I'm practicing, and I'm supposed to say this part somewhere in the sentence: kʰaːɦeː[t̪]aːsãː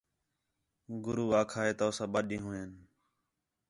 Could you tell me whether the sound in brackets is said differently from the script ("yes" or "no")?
no